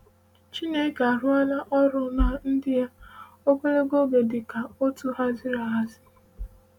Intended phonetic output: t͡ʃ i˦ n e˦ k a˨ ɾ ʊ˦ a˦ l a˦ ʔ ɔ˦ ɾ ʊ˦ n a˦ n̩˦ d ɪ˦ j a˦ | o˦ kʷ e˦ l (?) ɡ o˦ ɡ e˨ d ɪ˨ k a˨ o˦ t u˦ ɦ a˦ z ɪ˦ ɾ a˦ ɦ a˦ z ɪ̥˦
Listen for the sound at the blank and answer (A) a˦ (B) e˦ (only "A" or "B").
B